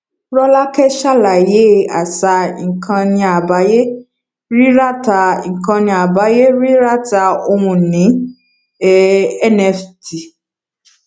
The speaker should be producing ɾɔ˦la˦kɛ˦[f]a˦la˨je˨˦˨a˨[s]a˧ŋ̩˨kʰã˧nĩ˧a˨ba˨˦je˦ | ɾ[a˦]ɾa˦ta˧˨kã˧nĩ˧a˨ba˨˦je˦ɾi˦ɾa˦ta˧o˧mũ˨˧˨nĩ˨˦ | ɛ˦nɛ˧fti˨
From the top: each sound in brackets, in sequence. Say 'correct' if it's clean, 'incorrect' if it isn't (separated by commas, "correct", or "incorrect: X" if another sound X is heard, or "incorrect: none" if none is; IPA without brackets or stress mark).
incorrect: ʃ, correct, incorrect: i˦